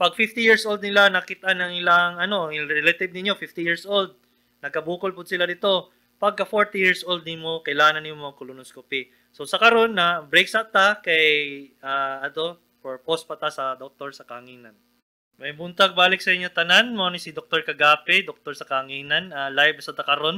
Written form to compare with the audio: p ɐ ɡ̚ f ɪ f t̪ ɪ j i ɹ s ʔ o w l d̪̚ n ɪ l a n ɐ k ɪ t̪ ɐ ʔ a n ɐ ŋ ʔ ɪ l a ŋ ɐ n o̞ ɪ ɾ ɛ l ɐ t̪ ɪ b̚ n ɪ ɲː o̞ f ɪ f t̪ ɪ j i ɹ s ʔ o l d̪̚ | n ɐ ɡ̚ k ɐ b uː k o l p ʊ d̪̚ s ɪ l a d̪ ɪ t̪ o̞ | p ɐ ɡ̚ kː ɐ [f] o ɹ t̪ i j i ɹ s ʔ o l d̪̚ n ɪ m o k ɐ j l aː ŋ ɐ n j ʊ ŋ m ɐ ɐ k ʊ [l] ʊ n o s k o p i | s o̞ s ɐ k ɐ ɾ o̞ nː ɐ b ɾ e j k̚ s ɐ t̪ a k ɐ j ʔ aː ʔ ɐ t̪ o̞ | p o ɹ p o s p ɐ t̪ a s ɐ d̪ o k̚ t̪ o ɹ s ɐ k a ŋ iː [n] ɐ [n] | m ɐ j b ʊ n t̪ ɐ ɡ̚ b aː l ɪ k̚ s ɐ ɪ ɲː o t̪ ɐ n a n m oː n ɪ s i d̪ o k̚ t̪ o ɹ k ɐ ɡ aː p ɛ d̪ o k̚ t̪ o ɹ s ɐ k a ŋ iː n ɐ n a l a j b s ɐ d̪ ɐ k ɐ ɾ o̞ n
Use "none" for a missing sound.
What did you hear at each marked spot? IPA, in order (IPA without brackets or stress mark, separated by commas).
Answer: f, l, n, n